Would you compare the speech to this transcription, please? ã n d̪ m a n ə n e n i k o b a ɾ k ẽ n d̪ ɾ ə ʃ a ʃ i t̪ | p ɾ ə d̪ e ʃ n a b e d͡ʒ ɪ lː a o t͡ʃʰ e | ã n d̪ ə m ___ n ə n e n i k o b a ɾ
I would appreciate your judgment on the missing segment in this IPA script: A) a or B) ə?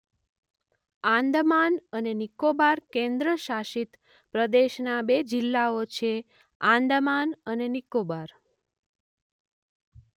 A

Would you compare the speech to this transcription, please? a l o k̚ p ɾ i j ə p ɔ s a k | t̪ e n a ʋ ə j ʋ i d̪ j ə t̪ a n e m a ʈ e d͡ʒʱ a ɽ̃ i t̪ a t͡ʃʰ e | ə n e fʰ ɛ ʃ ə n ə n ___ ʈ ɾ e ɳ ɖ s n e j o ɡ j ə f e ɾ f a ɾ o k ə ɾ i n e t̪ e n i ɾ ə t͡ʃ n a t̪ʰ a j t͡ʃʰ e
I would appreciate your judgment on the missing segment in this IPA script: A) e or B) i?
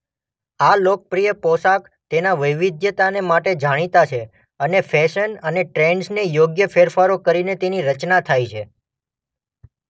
A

